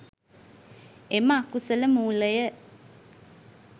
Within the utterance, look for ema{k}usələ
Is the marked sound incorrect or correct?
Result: correct